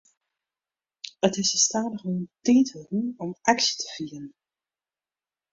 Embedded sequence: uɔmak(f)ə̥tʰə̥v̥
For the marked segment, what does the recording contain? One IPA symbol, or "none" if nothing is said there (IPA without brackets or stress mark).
s